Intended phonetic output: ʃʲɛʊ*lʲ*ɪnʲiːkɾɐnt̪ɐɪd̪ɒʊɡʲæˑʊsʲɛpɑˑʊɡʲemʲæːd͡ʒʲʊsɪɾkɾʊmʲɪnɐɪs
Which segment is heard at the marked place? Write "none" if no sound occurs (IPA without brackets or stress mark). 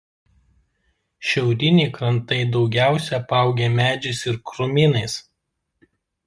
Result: ɾʲ